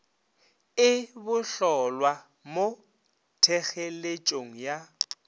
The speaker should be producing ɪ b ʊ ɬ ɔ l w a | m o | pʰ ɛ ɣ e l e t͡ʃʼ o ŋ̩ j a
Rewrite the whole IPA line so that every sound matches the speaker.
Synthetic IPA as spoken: ɪ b ʊ ɬ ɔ l w a | m o | tʰ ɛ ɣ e l e t͡ʃʼ o ŋ̩ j a